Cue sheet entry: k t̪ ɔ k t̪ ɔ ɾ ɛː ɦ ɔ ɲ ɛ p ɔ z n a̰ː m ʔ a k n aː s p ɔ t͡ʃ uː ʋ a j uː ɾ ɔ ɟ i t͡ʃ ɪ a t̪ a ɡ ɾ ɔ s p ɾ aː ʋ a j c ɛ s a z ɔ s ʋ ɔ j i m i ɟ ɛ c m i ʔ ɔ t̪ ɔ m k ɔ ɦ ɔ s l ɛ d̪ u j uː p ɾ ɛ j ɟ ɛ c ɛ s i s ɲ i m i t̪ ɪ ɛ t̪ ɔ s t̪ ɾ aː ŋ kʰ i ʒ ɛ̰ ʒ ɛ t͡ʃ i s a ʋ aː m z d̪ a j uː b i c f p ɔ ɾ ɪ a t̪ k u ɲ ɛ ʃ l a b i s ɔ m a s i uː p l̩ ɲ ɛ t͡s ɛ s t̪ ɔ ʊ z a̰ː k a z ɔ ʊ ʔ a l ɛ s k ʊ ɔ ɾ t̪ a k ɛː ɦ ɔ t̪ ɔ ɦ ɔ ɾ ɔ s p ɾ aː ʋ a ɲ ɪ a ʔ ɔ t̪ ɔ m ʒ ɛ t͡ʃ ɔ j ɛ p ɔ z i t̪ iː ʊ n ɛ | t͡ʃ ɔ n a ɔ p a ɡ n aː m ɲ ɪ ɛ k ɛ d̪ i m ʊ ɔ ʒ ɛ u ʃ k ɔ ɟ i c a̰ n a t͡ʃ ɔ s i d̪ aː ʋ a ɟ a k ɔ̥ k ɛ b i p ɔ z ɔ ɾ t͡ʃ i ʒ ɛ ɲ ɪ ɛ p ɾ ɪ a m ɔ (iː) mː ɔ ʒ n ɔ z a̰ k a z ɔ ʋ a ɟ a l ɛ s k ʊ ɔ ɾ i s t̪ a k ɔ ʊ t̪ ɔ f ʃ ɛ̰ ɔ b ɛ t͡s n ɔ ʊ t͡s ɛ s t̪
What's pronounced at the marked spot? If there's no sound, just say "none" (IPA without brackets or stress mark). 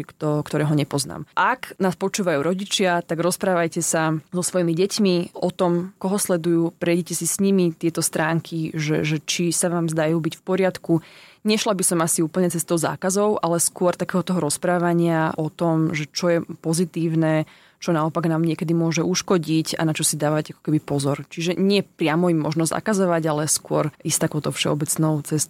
i